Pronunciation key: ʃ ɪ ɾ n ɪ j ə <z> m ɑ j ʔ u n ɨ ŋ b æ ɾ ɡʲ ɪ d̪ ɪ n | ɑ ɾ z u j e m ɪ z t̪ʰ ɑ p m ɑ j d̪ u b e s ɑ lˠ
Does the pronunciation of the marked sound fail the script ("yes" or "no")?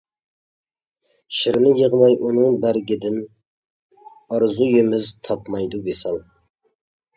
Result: yes